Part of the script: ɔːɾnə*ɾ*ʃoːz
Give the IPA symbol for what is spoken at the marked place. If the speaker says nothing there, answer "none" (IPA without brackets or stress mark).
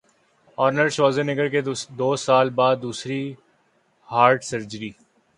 ɾ